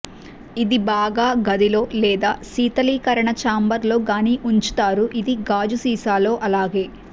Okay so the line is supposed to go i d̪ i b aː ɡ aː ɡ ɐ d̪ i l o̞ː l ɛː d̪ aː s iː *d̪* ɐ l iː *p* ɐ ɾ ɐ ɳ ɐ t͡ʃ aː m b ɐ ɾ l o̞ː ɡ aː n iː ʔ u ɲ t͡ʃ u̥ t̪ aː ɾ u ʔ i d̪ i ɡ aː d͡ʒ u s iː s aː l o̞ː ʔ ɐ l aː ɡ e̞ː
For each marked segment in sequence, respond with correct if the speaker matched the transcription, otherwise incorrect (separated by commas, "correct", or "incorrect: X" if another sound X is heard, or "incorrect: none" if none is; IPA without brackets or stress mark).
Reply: incorrect: t̪, incorrect: k